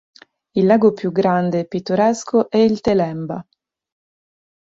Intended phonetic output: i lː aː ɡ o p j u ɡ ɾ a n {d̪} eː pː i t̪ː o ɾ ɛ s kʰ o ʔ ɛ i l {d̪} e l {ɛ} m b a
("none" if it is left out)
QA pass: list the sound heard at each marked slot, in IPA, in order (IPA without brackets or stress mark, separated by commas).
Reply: d̪, t̪, ɛ